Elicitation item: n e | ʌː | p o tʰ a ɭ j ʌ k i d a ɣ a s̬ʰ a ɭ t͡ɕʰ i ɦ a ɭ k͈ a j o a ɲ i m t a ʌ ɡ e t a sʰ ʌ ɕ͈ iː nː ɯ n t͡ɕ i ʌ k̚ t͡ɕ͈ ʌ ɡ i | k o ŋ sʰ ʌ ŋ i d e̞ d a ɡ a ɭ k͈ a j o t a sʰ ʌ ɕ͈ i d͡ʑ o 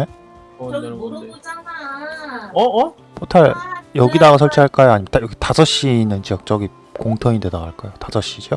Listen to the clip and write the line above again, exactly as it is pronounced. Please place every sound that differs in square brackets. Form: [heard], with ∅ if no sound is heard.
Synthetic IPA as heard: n e | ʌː | p o tʰ a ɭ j ʌ [ɡ] i d a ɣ a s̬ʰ [ʌ] ɭ t͡ɕʰ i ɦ a ɭ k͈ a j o a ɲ i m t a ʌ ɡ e t a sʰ ʌ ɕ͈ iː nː ɯ n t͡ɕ i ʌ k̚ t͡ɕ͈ ʌ ɡ i | k o ŋ [tʰ] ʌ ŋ i d e̞ d a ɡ a ɭ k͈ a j o t a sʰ ʌ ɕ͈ i d͡ʑ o